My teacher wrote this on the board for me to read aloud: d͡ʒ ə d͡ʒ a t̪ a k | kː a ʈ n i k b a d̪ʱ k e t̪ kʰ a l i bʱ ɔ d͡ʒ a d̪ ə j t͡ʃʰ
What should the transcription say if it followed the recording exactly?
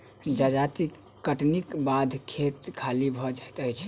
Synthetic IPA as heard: d͡ʒ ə d͡ʒ a t̪ i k | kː ə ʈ n i k b a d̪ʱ kʰ e t̪ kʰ a l i bʱ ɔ d͡ʒ a t̪ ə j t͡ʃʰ